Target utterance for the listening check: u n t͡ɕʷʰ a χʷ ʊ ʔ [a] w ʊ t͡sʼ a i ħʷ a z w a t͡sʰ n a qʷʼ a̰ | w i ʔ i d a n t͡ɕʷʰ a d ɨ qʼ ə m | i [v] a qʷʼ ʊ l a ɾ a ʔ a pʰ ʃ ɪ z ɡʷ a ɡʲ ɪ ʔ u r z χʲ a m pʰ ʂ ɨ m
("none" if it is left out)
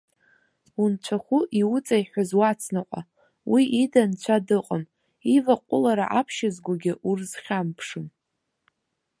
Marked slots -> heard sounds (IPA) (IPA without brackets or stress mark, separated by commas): i, v